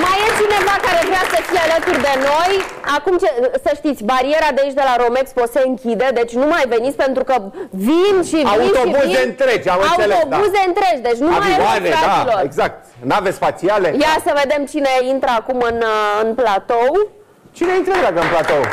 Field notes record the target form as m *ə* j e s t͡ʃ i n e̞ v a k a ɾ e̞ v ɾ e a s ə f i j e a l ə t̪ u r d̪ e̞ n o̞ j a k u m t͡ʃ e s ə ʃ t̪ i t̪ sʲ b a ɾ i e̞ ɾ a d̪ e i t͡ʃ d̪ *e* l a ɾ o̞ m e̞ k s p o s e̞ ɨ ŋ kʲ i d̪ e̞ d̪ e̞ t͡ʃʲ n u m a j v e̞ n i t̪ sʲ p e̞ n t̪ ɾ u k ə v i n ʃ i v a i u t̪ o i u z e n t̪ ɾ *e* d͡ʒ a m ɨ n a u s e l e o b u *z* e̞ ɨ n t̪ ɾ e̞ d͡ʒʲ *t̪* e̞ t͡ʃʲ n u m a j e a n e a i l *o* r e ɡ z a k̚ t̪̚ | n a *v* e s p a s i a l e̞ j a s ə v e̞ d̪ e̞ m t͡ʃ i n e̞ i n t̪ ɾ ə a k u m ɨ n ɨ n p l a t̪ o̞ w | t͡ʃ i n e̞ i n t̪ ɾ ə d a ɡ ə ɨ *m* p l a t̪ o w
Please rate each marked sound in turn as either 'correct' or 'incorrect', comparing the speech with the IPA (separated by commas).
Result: incorrect, correct, correct, correct, incorrect, correct, correct, incorrect